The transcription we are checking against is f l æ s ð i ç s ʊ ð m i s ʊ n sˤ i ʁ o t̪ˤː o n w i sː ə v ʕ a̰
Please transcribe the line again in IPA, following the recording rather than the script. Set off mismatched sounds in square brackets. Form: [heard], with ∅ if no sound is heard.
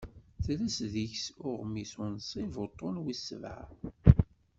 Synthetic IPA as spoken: [θ] l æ s ð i ç s ʊ [ʁ] m i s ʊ n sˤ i [v] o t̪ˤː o n w i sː ə v ʕ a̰